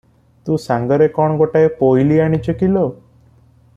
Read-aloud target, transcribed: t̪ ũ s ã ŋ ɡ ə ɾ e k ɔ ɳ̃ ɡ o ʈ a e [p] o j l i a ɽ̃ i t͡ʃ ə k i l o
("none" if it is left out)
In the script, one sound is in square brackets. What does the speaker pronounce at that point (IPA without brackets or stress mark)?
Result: p